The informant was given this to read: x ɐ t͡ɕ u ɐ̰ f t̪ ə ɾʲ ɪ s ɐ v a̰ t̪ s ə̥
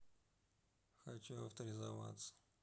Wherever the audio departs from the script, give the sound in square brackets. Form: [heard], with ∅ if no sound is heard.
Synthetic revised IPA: x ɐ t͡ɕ u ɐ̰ f t̪ ə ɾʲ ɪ [z] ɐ v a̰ t̪ s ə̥